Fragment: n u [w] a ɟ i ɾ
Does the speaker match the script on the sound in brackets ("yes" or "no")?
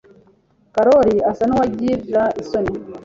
yes